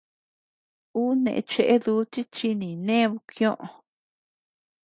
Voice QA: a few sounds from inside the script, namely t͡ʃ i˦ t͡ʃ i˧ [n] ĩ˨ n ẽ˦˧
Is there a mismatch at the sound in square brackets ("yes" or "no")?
no